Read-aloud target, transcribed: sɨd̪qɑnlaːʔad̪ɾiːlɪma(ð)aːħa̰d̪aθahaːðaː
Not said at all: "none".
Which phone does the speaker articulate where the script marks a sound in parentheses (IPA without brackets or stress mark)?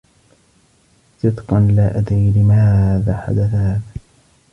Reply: ð